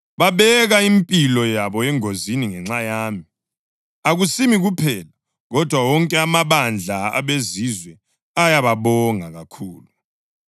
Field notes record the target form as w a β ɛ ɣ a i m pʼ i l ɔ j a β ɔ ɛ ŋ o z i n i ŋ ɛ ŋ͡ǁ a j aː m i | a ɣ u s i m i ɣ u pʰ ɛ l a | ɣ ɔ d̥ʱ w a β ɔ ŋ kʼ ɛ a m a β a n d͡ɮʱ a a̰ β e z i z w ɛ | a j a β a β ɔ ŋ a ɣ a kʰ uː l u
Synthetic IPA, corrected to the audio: β a β ɛ ɣ a i m pʼ i l ɔ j a β ɔ ɛ ŋ o z i n i ŋ ɛ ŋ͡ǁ a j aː m i | a ɣ u s i m i ɣ u pʰ ɛ l a | ɣ ɔ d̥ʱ w a w ɔ ŋ kʼ ɛ a m a β a n d͡ɮʱ a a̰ β e z i z w ɛ | a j a β a β ɔ ŋ a ɣ a kʰ uː l u